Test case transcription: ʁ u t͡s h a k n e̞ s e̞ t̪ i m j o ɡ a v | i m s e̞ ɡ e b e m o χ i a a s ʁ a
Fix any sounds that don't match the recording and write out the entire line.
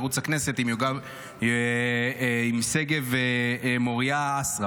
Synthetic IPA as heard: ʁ u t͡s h a k n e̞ s e̞ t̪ i m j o ɡ a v | i m s e̞ ɡ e v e m o ʁ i a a s ʁ a